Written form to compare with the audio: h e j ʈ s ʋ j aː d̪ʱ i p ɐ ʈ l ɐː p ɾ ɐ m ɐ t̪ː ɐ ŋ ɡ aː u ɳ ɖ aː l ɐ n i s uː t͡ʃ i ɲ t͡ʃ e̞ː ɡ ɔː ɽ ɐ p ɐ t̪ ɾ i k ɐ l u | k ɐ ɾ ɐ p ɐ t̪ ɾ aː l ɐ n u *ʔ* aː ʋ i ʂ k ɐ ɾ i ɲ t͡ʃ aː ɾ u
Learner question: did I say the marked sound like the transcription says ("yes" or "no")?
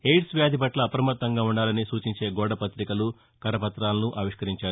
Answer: yes